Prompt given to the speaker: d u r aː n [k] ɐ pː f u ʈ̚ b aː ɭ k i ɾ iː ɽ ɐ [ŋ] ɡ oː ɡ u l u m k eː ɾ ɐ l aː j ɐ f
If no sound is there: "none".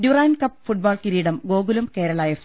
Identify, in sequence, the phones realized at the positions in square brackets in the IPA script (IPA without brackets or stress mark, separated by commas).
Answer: k, m